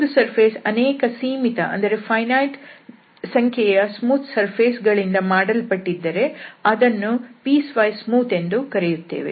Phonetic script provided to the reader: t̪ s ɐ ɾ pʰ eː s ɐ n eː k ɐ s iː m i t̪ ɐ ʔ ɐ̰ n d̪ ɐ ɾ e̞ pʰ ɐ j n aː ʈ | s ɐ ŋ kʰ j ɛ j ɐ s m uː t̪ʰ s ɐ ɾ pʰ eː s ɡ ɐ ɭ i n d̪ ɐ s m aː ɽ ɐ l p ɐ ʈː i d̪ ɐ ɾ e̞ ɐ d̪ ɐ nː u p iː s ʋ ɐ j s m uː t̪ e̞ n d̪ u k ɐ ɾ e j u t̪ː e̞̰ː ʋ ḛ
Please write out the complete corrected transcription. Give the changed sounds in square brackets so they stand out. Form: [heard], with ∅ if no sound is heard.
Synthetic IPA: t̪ s ɐ ɾ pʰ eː s ɐ n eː k ɐ s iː m i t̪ ɐ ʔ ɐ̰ n d̪ ɐ ɾ e̞ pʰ ɐ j n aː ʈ | s ɐ ŋ kʰ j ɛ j ɐ s m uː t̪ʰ s ɐ ɾ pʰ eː s ɡ ɐ ɭ i n d̪ ɐ [∅] m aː ɽ ɐ l p ɐ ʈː i [d̪ː] ɐ ɾ e̞ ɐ d̪ ɐ nː u p iː s ʋ ɐ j s m uː t̪ e̞ n d̪ u k ɐ ɾ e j u t̪ː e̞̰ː ʋ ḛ